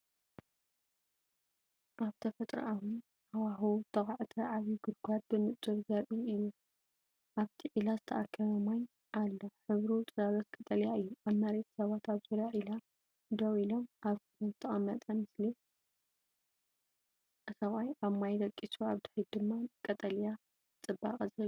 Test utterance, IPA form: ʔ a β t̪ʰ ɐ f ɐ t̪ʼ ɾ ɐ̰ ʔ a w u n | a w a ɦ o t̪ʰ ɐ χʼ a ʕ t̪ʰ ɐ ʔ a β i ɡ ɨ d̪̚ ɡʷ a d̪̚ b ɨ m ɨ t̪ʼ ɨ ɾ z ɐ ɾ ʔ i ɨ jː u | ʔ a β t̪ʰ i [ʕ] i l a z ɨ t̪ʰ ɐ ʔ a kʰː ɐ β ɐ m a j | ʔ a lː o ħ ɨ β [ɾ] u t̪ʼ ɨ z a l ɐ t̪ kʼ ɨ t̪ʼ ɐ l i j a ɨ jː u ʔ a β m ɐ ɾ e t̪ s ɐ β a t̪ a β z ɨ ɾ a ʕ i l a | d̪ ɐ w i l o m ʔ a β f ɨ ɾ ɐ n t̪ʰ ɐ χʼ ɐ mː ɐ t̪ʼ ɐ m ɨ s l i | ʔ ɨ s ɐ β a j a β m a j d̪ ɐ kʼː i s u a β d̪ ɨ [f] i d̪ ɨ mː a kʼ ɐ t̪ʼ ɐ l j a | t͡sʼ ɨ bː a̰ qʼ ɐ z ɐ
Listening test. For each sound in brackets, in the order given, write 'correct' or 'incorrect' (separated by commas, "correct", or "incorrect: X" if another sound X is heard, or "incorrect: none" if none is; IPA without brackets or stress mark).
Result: correct, correct, incorrect: ħ